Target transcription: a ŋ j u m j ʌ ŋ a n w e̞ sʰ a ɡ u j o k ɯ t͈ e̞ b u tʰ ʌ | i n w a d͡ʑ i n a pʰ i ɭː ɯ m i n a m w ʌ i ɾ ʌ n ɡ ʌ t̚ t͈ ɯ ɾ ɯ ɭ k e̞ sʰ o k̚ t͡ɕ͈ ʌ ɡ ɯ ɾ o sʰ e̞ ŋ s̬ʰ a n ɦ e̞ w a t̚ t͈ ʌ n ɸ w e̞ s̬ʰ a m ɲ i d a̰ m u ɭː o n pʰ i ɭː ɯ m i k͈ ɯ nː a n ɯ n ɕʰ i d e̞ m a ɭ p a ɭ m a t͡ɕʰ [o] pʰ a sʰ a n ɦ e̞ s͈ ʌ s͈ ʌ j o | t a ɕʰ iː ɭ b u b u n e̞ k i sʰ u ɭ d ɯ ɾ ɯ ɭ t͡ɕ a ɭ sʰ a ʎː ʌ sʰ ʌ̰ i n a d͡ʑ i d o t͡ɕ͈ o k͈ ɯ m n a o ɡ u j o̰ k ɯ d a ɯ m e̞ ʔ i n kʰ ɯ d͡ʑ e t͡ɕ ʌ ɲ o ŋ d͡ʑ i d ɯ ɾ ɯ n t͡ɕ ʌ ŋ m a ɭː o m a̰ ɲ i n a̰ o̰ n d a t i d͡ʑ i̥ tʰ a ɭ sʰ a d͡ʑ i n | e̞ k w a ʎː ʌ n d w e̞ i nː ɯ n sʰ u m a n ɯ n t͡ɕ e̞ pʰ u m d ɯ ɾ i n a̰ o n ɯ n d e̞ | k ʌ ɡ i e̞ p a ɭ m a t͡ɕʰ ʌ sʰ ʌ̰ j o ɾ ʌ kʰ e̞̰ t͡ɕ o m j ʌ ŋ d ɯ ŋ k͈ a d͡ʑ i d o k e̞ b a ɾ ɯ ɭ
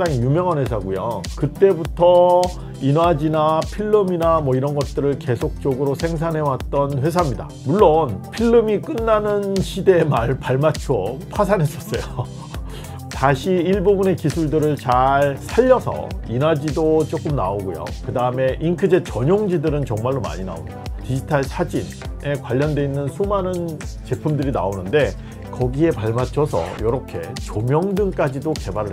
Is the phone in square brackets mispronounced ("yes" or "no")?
no